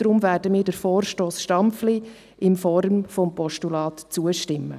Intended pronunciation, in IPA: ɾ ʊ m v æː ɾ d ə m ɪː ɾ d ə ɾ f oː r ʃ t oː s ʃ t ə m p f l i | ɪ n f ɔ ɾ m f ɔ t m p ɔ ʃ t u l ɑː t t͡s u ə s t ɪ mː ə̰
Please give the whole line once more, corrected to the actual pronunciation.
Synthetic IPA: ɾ ʊ m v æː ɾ d ə m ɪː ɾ d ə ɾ f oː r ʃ t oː s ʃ t ɑ m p f l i | ɪ n f ɔ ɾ m f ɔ m p ɔ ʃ t u l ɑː t t͡s u ə ʃ t ɪ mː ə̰